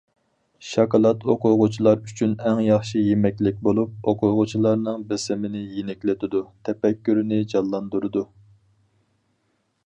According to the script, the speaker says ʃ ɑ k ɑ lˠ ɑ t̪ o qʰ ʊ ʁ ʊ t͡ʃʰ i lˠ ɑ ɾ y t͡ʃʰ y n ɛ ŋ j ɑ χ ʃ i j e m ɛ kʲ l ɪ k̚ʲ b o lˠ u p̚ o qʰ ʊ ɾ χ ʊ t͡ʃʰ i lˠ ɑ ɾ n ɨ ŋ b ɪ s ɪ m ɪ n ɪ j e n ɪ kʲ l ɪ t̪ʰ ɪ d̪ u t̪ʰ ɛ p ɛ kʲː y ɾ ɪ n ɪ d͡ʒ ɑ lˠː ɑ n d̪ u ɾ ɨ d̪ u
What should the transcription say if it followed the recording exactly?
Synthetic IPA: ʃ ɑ k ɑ lˠ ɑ t̪ o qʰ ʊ ʁ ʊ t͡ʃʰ i lˠ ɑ ɾ y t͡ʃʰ y n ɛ ŋ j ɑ χ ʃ i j e m ɛ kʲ l ɪ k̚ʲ b o lˠ u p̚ o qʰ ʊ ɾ ʁ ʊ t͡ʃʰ i lˠ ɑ ɾ n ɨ ŋ b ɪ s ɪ m ɪ n ɪ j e n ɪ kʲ l ɪ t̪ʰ ɪ d̪ u t̪ʰ ɛ p ɛ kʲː y ɾ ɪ n ɪ d͡ʒ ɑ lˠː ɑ n d̪ u ɾ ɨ d̪ u